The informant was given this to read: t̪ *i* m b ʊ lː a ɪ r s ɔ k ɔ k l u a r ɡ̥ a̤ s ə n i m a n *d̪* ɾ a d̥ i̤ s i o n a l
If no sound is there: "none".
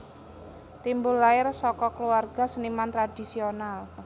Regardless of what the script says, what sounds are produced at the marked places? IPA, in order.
i, t̪

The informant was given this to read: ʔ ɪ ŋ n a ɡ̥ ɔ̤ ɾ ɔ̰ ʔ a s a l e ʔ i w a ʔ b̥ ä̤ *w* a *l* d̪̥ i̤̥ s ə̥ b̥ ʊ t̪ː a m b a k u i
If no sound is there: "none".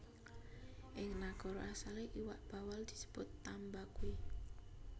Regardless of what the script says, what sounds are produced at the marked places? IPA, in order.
w, l

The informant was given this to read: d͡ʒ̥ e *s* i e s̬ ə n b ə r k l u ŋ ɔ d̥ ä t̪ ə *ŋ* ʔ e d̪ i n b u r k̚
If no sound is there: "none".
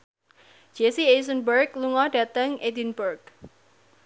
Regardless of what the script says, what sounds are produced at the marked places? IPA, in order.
s, ŋ

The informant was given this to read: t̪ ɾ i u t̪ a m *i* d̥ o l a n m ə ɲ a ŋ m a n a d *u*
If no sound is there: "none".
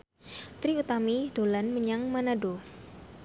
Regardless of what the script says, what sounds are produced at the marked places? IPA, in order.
i, o

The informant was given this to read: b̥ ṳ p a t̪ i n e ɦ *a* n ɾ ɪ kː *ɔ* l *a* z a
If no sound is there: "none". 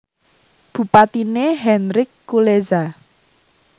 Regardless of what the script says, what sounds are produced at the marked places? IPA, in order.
ɛ, u, e

